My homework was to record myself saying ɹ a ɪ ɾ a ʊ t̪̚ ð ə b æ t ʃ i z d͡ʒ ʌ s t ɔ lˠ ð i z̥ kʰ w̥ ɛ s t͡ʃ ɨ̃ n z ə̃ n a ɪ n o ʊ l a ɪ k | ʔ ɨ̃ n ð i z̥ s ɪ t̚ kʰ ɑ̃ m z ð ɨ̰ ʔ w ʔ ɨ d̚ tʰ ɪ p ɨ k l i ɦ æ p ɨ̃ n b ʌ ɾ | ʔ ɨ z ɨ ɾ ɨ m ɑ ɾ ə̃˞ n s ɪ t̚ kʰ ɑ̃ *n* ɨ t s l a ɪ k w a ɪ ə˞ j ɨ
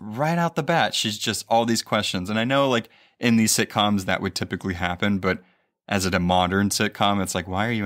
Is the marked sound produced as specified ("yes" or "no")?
no